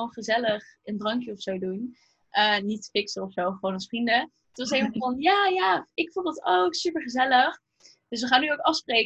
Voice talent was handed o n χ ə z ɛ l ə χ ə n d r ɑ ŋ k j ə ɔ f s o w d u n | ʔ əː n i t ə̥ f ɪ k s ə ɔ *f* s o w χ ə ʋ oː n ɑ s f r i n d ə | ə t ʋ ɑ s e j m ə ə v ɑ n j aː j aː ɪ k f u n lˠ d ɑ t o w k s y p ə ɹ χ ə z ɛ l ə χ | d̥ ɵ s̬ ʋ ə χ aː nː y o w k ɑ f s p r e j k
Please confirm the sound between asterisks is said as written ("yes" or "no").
yes